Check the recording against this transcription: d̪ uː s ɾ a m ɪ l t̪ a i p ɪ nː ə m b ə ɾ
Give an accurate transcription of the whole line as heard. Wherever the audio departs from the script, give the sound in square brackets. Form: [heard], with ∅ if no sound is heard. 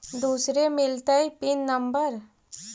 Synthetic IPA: d̪ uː s ɾ [e] m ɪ l t̪ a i p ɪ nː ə m b ə ɾ